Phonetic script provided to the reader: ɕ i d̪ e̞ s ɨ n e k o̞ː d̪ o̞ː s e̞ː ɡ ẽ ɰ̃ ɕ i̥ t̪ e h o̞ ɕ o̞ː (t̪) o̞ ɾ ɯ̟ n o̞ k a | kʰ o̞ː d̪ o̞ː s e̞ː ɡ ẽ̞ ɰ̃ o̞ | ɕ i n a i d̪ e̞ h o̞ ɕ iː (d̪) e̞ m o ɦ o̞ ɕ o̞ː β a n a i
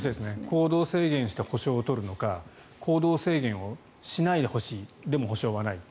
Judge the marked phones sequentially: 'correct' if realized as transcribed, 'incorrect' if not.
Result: correct, correct

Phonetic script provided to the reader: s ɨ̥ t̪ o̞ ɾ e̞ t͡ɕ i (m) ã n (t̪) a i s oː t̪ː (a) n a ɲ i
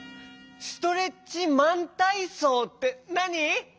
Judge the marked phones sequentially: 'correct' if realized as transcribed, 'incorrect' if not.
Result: correct, correct, incorrect: e

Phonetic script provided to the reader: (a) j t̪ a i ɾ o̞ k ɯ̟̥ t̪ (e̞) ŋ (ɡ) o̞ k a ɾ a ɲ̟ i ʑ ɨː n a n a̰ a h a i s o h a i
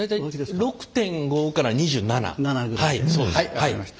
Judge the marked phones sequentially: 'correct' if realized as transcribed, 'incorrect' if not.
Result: correct, incorrect: ẽ̞, correct

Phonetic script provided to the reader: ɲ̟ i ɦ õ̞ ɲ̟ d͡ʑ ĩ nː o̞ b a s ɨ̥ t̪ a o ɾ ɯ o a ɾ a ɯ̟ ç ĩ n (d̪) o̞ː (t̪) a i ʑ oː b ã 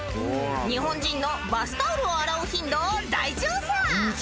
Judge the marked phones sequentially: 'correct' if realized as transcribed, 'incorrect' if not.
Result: correct, incorrect: d̪

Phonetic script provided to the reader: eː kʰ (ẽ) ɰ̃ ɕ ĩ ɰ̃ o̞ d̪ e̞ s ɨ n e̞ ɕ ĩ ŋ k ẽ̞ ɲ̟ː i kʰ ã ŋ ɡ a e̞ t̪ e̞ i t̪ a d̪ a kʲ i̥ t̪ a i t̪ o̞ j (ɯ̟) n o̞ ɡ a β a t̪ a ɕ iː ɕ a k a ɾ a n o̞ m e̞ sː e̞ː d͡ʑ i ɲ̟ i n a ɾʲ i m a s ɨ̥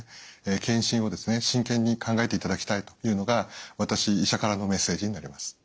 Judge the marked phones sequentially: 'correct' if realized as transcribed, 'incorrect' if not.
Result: correct, incorrect: ɯ̟ː

